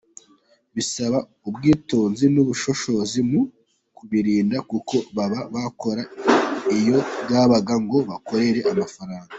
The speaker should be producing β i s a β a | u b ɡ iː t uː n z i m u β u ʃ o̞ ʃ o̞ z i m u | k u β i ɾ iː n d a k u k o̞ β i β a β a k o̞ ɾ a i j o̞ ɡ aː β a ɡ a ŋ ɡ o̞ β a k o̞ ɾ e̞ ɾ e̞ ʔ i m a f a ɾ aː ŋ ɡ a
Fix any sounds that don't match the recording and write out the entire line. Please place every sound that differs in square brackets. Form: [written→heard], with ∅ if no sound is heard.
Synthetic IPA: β i s a β a | u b ɡ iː t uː n z i [m→n] u β u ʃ o̞ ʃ o̞ z i m u | k u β i ɾ iː n d a k u k o̞ β [i→a] β a β a k o̞ ɾ a i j o̞ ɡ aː β a ɡ a ŋ ɡ o̞ β a k o̞ ɾ e̞ ɾ e̞ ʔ [i→a] m a f a ɾ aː ŋ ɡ a